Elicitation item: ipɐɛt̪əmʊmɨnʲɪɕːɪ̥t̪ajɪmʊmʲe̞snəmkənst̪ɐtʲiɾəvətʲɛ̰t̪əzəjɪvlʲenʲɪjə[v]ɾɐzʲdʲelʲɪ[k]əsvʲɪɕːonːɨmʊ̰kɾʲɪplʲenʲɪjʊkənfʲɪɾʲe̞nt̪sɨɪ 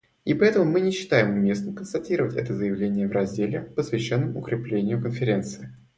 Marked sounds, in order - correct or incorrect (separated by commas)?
correct, incorrect